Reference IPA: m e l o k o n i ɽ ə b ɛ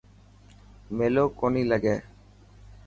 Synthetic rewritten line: m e l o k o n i l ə ɡ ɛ